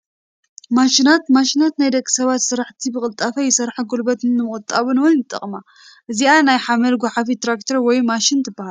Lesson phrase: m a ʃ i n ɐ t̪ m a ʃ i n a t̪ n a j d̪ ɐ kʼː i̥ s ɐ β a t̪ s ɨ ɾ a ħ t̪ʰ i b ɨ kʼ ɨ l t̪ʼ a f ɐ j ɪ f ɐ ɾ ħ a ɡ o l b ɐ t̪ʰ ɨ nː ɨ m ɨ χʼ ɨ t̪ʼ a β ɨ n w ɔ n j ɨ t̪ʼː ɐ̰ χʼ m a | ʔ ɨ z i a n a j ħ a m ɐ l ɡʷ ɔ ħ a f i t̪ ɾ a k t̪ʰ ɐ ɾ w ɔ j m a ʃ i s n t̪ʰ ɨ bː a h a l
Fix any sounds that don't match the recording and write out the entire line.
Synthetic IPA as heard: m a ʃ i n a t̪ m a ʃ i n a t̪ n a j d̪ ɐ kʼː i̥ s ɐ β a t̪ s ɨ ɾ a ħ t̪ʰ i b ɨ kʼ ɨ l t̪ʼ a f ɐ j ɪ s ɐ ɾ ħ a ɡ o l b ɐ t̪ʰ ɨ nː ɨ m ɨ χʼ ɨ t̪ʼ a β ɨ n w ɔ n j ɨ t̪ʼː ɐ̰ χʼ m a | ʔ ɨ z i a n a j ħ a m ɐ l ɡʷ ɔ ħ a f i t̪ ɾ a k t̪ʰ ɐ ɾ w ɔ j m a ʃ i n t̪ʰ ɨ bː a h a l

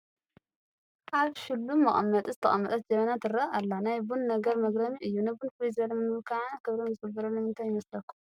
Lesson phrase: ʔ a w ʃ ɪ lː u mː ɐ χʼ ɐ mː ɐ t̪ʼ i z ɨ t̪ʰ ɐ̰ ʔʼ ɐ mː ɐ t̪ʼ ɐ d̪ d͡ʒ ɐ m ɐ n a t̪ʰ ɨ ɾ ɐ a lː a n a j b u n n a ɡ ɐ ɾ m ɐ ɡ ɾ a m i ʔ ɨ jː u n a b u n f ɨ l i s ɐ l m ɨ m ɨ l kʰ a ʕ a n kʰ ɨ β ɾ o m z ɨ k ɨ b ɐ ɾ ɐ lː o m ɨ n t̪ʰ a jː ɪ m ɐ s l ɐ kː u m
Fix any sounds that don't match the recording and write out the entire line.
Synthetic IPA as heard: ʔ a β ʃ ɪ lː u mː ɐ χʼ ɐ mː ɐ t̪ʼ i z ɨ t̪ʰ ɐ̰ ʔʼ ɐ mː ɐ t̪ʼ ɐ t̪ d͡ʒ ɐ m ɐ n a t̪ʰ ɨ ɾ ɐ a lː a n a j b u n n ɐ ɡ ɐ ɾ m ɐ ɡ ɾ ɐ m i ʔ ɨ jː u n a b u n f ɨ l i z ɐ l m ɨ m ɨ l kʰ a ʕ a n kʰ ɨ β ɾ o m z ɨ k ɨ b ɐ ɾ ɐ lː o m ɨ n t̪ʰ a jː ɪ m ɐ s l ɐ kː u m

